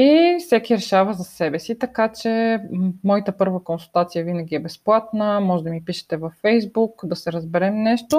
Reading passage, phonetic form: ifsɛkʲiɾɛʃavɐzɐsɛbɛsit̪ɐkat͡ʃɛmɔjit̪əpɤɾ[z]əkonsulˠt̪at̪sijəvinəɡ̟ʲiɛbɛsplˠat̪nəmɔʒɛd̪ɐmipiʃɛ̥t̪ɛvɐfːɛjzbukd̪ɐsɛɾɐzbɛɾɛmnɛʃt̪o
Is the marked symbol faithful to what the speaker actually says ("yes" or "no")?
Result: no